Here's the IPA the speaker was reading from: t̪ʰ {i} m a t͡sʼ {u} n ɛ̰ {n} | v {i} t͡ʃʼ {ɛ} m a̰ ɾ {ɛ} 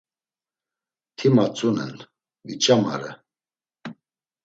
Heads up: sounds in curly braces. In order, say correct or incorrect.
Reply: correct, correct, correct, correct, incorrect: a, correct

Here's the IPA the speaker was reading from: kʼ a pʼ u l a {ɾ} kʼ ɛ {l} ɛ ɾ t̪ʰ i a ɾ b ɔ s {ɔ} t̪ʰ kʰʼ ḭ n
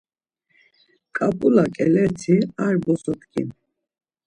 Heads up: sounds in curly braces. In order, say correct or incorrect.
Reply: incorrect: none, correct, correct

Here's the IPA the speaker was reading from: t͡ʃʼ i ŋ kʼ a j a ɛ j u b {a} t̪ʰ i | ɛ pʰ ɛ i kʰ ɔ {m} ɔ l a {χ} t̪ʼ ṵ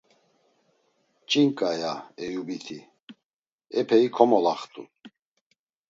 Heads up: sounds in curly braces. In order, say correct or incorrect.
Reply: incorrect: i, correct, correct

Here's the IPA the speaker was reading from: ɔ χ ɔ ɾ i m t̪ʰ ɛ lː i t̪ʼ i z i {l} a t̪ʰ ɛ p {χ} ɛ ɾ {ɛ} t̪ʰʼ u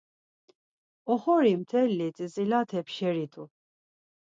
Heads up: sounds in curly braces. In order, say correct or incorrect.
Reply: correct, incorrect: ʃ, incorrect: i

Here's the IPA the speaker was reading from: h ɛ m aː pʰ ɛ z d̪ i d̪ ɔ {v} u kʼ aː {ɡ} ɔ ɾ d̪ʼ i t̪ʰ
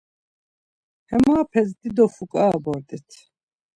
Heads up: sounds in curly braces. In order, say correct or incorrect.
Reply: incorrect: f, incorrect: b

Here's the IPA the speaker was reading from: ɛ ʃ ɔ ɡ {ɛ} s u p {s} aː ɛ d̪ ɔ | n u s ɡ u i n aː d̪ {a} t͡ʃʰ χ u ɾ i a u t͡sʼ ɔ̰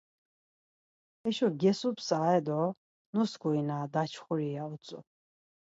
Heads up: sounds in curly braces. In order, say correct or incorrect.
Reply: correct, correct, correct

